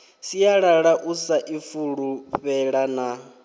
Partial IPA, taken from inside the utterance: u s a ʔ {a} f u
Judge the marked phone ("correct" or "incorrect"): incorrect